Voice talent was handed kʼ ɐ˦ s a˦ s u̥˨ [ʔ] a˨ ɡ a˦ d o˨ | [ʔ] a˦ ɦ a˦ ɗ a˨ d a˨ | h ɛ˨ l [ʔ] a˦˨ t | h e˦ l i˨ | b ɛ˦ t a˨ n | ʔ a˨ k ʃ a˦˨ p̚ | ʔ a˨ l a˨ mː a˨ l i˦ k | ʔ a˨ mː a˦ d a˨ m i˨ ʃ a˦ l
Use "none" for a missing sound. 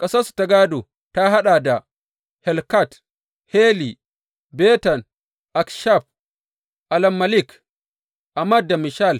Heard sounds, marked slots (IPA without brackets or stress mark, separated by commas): t, t, k